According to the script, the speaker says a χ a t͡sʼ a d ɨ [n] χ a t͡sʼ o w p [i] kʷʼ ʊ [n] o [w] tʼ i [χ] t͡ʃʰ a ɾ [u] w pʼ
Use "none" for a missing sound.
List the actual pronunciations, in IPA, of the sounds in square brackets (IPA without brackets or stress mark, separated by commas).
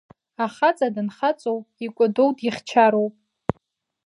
n, i, d, w, χ, o